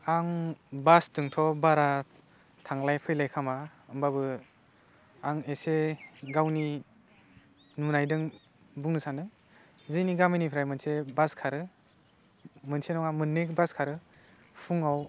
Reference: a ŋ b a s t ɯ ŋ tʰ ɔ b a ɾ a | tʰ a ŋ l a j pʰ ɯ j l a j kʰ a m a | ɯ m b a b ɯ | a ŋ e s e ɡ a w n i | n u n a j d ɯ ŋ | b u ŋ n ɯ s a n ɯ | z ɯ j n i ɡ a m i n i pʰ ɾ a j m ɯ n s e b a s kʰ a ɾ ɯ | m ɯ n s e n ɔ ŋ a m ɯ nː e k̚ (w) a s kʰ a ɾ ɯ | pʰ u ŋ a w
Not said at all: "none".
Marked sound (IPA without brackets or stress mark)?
b